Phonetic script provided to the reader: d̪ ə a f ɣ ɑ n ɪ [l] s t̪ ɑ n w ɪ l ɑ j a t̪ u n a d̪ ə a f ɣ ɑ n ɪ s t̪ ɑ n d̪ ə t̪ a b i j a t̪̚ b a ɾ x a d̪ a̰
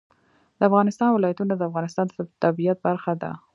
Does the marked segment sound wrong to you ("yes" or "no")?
yes